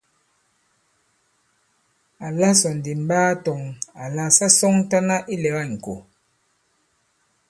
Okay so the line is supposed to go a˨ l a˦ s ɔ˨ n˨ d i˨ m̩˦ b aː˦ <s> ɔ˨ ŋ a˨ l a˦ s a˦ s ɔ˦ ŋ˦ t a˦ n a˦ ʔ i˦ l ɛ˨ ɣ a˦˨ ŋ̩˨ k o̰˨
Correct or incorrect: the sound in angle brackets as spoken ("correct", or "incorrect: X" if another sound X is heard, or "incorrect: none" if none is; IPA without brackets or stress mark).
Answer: incorrect: t